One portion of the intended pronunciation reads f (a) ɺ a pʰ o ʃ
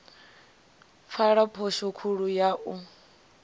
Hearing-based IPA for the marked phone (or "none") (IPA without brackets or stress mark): a